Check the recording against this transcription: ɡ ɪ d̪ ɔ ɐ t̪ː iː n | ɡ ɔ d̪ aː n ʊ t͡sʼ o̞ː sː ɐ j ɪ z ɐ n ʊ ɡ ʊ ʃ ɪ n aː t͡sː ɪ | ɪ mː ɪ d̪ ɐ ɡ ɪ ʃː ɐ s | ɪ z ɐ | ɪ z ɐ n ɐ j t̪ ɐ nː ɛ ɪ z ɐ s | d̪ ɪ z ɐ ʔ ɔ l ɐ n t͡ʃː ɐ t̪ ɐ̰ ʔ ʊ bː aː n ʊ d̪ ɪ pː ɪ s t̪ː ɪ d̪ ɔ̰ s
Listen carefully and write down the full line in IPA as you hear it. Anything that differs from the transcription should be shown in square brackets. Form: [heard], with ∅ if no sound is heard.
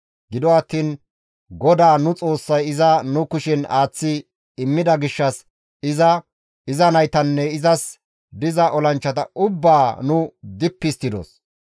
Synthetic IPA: ɡ ɪ d̪ ɔ ɐ t̪ː iː n | ɡ ɔ d̪ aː n ʊ t͡sʼ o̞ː sː ɐ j ɪ z ɐ n ʊ [k] ʊ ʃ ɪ n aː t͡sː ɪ | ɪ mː ɪ d̪ ɐ ɡ ɪ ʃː ɐ s | ɪ z ɐ | ɪ z ɐ n ɐ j t̪ ɐ nː ɛ ɪ z ɐ s | d̪ ɪ z ɐ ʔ ɔ l ɐ n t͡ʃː ɐ t̪ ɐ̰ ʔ ʊ bː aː n ʊ d̪ ɪ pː ɪ s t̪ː ɪ d̪ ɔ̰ s